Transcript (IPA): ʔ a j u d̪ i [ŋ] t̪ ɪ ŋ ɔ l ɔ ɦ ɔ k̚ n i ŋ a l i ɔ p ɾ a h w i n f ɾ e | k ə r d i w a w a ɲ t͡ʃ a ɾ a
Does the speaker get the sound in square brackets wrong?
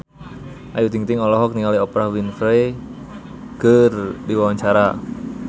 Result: no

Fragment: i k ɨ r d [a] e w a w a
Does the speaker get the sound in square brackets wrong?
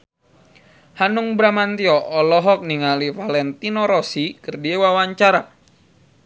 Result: yes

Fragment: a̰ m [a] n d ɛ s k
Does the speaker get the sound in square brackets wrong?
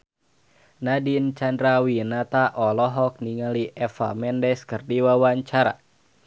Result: yes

